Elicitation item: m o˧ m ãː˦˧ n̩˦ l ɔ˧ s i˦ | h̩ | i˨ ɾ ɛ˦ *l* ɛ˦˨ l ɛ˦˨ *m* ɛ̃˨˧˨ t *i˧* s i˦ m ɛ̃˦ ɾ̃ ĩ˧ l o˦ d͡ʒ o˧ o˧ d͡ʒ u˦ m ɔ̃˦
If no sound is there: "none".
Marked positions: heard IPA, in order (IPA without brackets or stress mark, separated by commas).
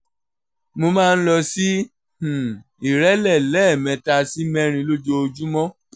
l, m, a˧